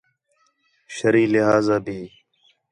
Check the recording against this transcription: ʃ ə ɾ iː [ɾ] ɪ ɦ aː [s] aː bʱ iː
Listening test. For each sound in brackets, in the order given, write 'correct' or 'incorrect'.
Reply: incorrect: l, incorrect: z

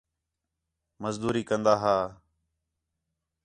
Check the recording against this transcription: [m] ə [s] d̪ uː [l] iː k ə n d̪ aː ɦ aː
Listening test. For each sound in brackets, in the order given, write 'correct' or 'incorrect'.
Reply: correct, incorrect: z, incorrect: ɾ

